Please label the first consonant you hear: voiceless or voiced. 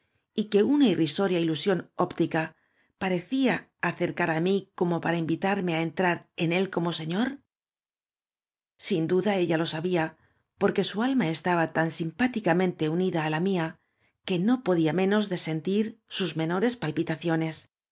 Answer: voiceless